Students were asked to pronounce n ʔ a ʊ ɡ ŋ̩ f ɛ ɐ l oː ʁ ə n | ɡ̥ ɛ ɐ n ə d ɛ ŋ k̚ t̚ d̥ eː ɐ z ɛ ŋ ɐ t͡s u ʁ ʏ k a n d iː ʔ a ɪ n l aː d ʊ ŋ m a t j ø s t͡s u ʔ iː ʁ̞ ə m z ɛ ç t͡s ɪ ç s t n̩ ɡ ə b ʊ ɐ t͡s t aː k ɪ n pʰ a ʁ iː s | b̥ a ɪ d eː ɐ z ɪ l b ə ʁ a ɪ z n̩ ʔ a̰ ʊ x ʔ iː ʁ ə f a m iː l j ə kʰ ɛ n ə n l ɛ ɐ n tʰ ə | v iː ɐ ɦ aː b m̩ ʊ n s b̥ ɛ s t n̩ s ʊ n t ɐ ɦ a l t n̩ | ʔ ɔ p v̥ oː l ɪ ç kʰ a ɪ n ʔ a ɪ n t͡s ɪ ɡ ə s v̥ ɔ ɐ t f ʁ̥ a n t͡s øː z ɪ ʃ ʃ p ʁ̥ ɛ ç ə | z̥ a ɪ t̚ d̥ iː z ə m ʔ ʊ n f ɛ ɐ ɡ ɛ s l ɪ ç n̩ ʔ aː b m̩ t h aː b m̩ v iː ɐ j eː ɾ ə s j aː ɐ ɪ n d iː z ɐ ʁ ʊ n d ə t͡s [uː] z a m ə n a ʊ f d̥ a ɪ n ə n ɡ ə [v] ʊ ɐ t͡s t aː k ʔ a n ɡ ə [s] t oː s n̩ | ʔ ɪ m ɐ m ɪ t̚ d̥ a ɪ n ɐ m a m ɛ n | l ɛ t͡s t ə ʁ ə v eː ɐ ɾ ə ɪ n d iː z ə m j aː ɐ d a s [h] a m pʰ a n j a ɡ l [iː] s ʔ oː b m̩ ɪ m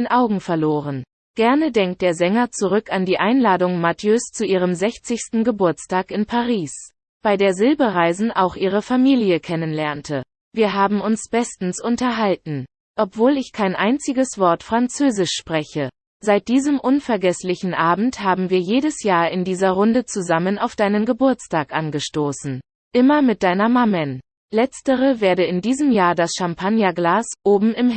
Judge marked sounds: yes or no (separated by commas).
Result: no, no, no, no, no